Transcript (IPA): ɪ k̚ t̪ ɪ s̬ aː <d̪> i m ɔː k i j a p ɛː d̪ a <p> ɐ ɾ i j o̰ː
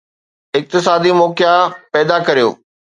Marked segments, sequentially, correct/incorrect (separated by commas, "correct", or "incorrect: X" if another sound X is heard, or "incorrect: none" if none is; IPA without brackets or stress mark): correct, incorrect: k